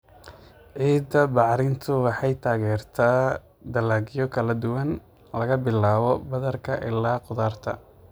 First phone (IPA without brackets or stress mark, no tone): ʕ